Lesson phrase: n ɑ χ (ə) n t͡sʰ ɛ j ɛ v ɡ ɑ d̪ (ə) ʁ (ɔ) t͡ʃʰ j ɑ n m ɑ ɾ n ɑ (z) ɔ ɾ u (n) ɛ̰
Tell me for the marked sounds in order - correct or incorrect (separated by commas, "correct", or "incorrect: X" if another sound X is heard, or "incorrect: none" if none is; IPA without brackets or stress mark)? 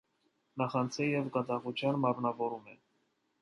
incorrect: ɑ, incorrect: ɑ, incorrect: u, incorrect: v, incorrect: m